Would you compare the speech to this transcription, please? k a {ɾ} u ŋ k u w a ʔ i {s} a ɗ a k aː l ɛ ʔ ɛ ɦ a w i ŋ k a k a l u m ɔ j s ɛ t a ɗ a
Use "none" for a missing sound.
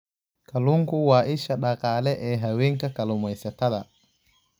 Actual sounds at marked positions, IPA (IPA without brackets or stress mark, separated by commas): l, ʃ